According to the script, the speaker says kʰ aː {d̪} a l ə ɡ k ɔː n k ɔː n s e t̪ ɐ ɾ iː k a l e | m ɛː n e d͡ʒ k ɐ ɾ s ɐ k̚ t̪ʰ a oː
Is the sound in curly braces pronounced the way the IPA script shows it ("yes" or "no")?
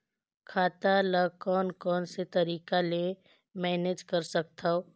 no